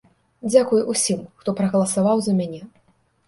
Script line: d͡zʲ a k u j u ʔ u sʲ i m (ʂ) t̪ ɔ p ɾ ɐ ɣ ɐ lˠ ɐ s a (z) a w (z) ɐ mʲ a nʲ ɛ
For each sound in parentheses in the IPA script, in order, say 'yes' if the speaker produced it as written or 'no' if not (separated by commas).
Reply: no, no, yes